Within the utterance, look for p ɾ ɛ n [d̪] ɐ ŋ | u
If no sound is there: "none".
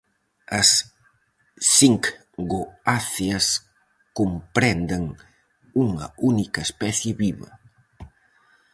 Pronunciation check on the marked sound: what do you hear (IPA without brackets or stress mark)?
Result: d̪